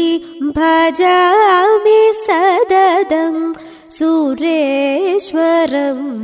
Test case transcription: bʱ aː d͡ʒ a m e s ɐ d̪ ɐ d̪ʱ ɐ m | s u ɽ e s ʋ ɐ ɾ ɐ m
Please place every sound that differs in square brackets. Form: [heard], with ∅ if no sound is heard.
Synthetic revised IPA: bʱ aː d͡ʒ a m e s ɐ d̪ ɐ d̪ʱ ɐ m | s u [ɾ] e [ʃ] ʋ ɐ ɾ ɐ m